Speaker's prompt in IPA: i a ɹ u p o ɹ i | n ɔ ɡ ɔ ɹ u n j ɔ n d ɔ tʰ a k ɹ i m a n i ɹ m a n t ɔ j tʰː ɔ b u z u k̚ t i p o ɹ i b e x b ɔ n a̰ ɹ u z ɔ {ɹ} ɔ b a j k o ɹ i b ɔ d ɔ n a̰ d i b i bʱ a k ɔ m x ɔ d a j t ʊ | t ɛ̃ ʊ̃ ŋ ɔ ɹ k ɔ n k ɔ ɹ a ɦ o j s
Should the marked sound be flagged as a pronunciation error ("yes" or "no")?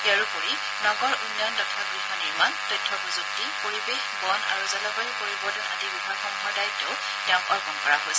yes